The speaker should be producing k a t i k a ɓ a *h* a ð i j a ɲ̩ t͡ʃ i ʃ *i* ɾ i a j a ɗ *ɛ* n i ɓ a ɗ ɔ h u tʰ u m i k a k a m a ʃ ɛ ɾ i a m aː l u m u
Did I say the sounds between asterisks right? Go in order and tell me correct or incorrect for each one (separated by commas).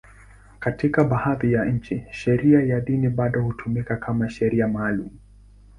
correct, incorrect, incorrect